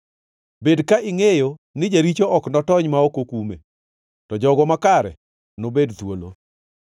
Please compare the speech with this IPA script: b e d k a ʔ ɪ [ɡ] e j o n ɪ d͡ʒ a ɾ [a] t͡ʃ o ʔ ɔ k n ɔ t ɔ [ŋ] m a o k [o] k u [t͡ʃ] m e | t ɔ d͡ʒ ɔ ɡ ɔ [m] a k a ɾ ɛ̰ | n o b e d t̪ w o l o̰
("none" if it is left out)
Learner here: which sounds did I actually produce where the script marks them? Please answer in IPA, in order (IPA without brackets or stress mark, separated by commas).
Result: ŋ, i, ɲ, o, none, m